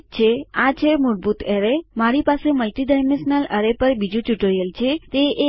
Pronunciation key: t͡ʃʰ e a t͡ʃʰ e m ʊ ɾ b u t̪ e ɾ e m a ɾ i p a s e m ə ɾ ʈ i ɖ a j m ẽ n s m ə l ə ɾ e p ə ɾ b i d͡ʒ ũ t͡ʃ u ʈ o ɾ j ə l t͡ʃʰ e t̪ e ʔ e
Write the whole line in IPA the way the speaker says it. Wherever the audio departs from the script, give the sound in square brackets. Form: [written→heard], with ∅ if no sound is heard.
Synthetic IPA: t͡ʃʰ e a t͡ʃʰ e m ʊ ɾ b u t̪ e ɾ e m a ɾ i p a s e m ə [ɾ→l] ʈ i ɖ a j m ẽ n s [m→n] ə l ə ɾ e p ə ɾ b i d͡ʒ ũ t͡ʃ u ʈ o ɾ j ə l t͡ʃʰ e t̪ e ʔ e